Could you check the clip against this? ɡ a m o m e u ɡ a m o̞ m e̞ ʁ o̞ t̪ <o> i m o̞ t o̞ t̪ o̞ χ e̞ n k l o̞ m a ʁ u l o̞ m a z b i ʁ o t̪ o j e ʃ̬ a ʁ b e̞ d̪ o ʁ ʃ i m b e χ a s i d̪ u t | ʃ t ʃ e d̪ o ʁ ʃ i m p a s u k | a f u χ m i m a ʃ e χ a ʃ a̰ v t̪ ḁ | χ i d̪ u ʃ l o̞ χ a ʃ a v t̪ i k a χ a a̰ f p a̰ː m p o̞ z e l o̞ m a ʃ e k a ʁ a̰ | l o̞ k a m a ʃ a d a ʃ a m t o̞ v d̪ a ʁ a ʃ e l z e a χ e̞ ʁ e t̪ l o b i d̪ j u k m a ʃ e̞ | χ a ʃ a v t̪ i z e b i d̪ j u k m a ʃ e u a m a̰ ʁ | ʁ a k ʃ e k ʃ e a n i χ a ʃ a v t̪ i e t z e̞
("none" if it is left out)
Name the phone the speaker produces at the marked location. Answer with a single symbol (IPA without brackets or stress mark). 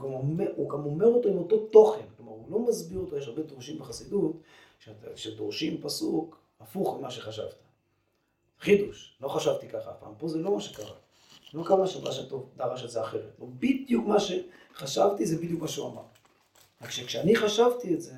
o